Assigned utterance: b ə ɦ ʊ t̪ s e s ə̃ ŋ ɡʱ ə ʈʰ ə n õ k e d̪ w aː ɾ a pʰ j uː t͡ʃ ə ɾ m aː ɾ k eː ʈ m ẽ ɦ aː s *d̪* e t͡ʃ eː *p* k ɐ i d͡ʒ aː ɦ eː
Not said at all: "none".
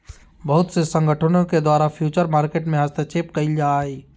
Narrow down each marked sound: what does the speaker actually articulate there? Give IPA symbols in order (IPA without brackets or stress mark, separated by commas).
t̪, p